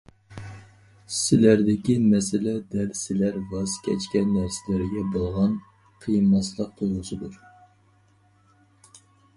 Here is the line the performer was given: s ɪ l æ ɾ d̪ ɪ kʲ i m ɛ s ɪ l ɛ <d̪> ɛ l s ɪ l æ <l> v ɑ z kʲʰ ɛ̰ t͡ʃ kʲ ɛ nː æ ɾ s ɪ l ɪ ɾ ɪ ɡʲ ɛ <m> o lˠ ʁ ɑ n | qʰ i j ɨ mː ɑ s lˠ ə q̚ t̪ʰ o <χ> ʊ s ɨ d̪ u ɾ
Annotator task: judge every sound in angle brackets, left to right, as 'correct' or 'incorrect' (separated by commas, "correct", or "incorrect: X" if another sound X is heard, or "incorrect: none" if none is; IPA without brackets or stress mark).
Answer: correct, incorrect: ɾ, incorrect: b, incorrect: ʁ